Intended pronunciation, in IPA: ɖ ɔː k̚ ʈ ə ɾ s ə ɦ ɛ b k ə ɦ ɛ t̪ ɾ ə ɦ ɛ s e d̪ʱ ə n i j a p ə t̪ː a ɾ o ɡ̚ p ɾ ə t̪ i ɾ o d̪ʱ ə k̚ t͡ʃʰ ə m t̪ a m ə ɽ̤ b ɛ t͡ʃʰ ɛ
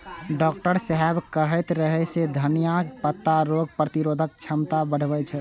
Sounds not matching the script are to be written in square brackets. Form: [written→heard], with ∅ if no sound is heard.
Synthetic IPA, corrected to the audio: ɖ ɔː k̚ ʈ ə ɾ s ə ɦ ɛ b k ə ɦ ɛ t̪ ɾ ə ɦ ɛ s e d̪ʱ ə n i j a p ə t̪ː a ɾ o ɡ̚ p ɾ ə t̪ i ɾ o d̪ʱ ə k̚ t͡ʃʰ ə m t̪ a [m→b] ə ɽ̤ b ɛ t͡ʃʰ ɛ